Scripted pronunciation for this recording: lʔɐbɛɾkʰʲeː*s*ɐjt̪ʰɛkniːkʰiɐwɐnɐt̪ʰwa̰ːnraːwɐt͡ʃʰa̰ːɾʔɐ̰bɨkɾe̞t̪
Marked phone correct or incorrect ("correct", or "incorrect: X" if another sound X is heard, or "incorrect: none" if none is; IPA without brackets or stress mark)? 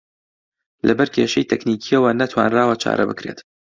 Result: incorrect: ʃ